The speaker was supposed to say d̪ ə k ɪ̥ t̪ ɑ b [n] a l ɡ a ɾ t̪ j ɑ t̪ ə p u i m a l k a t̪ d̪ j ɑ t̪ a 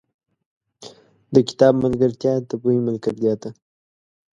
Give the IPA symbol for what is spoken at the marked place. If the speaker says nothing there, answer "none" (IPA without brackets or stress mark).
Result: m